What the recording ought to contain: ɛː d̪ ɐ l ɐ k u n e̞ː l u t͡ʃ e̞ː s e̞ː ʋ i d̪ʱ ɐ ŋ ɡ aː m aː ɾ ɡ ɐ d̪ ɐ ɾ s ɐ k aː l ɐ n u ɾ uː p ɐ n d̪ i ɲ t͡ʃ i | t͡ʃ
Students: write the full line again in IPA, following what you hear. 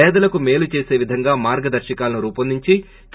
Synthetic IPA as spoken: ɛː d̪ ɐ l ɐ k u m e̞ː l u t͡ʃ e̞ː s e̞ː ʋ i d̪ʱ ɐ ŋ ɡ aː m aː ɾ ɡ ɐ d̪ ɐ ɾ ʃ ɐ k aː l ɐ n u ɾ uː p ɐ n d̪ i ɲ t͡ʃ i | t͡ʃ